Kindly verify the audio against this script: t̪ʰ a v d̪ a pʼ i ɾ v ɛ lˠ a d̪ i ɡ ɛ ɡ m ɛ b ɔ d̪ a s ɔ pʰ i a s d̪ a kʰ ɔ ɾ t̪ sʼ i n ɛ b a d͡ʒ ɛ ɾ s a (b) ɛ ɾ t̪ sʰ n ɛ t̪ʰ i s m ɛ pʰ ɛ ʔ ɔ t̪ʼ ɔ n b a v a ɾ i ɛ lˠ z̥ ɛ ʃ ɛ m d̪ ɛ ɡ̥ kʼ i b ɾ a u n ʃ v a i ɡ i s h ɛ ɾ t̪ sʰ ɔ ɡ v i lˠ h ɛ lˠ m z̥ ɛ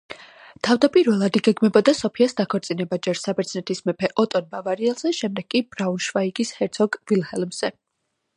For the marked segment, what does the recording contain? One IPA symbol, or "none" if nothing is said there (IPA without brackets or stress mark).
b